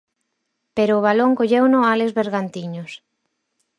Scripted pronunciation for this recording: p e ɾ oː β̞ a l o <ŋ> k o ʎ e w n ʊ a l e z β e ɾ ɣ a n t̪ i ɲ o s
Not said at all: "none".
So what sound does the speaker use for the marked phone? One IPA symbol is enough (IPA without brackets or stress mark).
ŋ